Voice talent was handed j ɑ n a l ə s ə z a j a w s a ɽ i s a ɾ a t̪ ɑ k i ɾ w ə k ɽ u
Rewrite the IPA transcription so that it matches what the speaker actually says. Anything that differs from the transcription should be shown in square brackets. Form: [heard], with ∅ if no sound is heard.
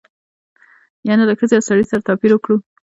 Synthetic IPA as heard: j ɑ n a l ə [x] ə z [e] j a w s a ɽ i s a ɾ a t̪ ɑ [p] i ɾ w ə k ɽ u